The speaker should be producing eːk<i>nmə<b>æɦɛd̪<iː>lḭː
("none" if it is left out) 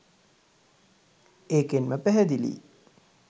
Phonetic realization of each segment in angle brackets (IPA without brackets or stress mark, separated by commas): e, p, i